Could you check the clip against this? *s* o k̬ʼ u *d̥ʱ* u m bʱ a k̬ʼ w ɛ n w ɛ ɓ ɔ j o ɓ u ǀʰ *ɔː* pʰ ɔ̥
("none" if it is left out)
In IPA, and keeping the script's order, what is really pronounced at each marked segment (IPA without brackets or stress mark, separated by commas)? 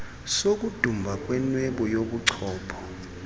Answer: s, d̥ʱ, ɔː